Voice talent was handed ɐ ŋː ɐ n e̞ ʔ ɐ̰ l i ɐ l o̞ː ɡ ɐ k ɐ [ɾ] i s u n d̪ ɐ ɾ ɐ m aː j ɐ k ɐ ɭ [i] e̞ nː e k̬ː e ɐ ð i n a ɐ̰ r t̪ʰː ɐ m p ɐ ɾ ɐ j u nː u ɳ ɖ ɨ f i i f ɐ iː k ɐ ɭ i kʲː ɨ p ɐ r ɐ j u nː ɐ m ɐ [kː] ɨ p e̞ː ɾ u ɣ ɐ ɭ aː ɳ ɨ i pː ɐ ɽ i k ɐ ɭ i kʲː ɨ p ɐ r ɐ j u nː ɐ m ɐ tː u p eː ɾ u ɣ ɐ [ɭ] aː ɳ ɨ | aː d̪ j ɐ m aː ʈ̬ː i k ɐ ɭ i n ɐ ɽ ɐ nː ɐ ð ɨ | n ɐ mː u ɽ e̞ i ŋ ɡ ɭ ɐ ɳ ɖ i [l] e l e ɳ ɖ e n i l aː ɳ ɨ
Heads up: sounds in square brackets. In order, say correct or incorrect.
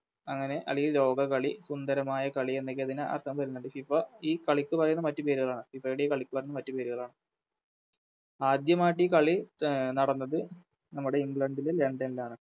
incorrect: ɭ, correct, incorrect: tː, correct, correct

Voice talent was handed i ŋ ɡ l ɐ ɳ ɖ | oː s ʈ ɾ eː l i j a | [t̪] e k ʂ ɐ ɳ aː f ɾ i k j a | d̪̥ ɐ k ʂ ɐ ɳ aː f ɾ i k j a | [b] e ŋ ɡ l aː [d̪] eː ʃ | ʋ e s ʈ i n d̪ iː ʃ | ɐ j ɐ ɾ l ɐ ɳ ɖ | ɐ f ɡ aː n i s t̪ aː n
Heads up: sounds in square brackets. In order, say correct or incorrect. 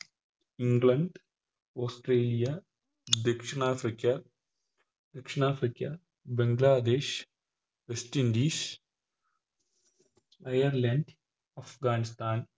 incorrect: d̪, correct, correct

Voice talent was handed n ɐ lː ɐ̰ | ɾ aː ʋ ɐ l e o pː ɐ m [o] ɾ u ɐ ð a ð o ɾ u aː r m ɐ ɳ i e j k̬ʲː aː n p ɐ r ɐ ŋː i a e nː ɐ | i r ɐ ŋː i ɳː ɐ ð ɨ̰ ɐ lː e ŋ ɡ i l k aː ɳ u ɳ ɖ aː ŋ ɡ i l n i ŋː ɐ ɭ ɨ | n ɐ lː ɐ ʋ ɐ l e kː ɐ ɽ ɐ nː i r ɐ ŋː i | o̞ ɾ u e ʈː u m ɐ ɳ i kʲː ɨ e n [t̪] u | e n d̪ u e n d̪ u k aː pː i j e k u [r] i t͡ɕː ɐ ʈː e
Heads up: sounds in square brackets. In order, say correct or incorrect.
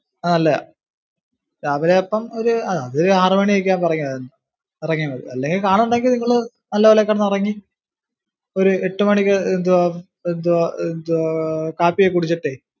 correct, incorrect: d̪, incorrect: ɽ

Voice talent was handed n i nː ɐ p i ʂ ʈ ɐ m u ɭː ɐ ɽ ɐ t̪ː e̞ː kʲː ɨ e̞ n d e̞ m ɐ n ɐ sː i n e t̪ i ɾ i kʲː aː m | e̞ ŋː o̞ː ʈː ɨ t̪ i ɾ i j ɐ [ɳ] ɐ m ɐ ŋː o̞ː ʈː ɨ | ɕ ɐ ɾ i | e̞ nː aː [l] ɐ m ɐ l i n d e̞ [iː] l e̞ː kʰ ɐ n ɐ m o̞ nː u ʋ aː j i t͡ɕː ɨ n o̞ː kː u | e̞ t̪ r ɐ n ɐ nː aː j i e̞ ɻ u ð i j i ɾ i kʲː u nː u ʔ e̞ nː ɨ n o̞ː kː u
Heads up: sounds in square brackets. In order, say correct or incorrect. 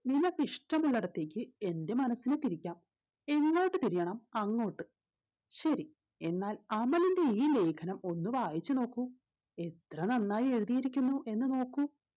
correct, correct, correct

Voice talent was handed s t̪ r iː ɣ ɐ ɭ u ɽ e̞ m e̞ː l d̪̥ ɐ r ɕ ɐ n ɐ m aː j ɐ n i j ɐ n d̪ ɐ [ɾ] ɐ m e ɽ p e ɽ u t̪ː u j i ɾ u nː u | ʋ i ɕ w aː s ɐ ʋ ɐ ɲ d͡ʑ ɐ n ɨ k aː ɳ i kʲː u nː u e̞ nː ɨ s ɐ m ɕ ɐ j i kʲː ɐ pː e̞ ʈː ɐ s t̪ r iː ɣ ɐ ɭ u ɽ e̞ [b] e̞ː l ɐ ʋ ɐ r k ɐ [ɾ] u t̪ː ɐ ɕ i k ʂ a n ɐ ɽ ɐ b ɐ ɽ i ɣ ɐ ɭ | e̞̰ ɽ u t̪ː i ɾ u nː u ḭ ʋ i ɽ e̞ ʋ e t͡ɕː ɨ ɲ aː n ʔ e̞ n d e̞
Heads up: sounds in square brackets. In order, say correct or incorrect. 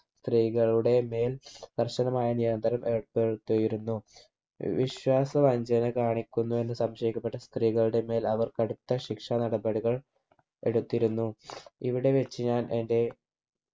correct, incorrect: m, incorrect: ɽ

